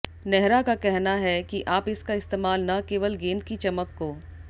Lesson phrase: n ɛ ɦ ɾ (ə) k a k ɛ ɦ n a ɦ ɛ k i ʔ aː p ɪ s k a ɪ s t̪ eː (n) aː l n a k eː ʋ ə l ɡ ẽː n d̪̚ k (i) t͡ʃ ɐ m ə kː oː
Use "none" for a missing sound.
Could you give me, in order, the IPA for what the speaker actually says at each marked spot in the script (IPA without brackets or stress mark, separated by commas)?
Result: a, m, i